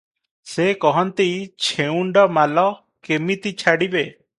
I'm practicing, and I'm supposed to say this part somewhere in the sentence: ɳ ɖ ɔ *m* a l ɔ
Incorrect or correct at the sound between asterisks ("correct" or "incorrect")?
correct